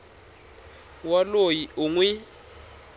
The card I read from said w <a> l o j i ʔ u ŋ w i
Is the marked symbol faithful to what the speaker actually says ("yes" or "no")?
yes